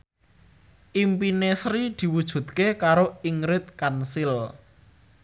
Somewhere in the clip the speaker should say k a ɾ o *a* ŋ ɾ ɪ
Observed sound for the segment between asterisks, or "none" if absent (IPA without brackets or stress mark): i